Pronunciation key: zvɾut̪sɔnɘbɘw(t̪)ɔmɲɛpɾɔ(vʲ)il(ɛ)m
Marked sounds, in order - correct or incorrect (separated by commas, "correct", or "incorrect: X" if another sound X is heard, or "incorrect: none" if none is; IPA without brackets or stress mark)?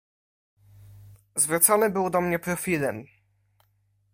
incorrect: d̪, incorrect: fʲ, correct